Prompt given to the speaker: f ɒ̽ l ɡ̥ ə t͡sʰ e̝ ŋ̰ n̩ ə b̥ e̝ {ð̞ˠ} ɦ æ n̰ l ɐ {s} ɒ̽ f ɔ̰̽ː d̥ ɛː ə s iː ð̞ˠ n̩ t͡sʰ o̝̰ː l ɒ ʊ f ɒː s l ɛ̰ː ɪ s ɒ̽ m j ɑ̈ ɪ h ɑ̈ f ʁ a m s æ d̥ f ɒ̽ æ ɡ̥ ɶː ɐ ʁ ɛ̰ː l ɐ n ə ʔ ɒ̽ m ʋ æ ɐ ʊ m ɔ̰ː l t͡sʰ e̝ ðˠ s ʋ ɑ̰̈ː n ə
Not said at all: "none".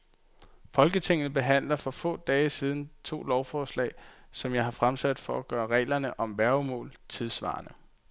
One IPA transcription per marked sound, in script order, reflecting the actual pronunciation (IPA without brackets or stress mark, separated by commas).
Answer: none, f